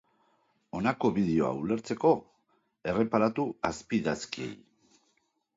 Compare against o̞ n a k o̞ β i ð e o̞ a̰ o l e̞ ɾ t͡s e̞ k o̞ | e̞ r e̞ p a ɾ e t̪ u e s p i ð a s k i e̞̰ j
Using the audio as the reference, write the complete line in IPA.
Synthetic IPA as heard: o̞ n a k o̞ β i ð e o̞ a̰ u l e̞ ɾ t͡s e̞ k o̞ | e̞ r e̞ p a ɾ a t̪ u a s p i ð a s k i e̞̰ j